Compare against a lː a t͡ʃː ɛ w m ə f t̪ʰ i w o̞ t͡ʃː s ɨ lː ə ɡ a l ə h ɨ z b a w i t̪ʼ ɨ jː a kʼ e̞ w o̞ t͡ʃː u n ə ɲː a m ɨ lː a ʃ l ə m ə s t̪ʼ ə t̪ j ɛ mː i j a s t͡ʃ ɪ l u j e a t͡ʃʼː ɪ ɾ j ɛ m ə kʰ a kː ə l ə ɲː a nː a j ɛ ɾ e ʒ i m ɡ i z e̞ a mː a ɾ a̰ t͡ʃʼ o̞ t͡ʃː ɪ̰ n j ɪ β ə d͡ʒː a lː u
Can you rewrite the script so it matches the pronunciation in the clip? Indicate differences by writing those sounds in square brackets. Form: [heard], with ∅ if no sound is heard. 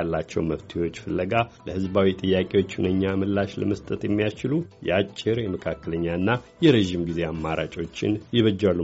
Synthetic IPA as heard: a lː a t͡ʃː ɛ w m ə f t̪ʰ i w o̞ t͡ʃː [f] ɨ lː ə ɡ a l ə h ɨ z b a w i t̪ʼ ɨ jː a kʼ e̞ w o̞ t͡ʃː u n ə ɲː a m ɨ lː a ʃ l ə m ə s t̪ʼ ə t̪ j ɛ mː i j a s t͡ʃ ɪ l u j [ɛ] a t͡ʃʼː ɪ ɾ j ɛ m ə kʰ a kː ə l ə ɲː a nː a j ɛ ɾ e ʒ i m ɡ i z e̞ a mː a ɾ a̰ t͡ʃʼ o̞ t͡ʃː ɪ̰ n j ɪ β ə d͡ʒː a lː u